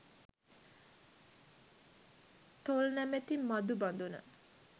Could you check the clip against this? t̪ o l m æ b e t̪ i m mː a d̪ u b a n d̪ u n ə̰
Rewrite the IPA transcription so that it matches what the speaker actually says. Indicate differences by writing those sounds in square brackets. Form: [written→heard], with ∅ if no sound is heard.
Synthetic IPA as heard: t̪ o l [m→n] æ [b→m] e t̪ i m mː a d̪ u b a n d̪ u n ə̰